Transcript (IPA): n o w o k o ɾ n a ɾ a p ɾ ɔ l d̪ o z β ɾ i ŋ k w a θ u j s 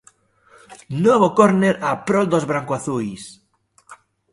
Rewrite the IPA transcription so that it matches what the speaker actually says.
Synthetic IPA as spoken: n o β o k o ɾ n e ɾ a p ɾ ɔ l d̪ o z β ɾ a ŋ k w a θ u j s